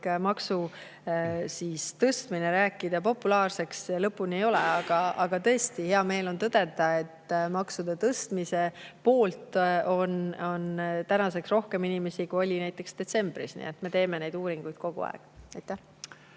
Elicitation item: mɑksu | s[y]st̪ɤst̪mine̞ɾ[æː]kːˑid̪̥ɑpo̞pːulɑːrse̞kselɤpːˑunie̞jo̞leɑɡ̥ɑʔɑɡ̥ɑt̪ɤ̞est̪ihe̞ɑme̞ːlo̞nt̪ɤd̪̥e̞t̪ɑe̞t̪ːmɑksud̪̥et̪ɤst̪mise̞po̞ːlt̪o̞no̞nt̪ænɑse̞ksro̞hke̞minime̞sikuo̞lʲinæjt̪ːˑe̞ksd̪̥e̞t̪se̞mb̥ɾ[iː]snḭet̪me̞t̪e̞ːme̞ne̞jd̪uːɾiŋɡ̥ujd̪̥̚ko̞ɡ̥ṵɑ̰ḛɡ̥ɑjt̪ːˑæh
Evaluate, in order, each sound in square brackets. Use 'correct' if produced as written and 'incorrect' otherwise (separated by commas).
incorrect, correct, incorrect